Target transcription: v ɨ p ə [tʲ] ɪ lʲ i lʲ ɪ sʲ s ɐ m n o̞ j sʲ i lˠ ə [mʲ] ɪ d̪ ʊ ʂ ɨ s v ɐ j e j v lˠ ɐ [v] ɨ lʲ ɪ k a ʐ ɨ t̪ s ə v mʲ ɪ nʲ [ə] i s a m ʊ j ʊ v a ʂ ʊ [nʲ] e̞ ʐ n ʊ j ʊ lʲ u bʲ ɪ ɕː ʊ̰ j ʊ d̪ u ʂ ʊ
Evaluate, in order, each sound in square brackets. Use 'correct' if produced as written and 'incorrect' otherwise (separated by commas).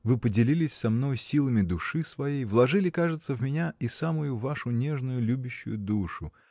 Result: incorrect, correct, incorrect, incorrect, correct